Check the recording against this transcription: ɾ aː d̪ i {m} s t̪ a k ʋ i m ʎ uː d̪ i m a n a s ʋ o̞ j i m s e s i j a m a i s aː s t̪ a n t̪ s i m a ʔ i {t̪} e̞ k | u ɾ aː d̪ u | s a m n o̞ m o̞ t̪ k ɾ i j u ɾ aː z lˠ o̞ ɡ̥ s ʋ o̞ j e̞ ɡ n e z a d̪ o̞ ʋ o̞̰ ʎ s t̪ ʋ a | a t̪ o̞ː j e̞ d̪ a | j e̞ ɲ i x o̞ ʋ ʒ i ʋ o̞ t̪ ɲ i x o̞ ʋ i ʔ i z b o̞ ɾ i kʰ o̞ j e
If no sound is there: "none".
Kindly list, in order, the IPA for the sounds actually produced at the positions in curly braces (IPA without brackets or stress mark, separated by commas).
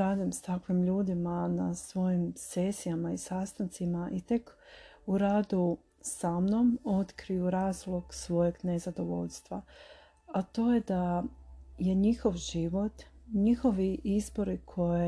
m, t̪